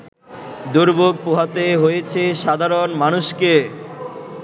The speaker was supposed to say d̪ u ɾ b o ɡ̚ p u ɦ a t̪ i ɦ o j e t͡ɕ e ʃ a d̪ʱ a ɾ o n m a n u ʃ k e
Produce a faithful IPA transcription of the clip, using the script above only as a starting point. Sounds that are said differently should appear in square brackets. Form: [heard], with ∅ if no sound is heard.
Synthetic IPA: d̪ u ɾ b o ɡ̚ p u ɦ a t̪ [e] ɦ o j e [t͡ɕʰ] e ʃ a d̪ʱ a ɾ o n m a n u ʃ k e